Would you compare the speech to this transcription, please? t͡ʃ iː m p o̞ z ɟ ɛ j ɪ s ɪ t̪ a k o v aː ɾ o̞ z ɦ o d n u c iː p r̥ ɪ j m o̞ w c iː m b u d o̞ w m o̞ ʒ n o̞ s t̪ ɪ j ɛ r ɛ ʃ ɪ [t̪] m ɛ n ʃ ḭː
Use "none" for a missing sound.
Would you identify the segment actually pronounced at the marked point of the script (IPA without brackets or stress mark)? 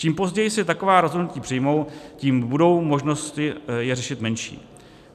t̪